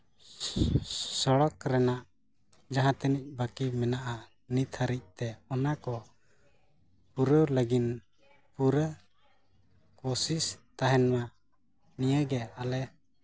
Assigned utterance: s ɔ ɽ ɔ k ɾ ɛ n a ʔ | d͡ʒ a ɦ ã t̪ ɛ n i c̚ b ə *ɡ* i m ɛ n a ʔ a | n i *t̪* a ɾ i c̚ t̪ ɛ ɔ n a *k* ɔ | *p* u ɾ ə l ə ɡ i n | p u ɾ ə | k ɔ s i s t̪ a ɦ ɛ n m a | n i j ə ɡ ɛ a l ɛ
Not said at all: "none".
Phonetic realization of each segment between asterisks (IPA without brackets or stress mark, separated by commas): k, t̪ʰ, k, p